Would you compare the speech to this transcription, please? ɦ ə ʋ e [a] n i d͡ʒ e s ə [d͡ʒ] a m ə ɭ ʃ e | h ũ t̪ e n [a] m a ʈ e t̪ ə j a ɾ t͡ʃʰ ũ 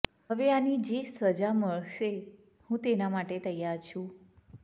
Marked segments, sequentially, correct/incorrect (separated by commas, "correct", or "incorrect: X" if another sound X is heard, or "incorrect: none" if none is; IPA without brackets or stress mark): correct, correct, correct